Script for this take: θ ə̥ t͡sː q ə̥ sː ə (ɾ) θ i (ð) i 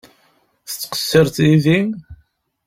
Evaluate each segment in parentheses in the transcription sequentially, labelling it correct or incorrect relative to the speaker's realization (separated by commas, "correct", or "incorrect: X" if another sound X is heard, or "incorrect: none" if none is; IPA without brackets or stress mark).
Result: correct, correct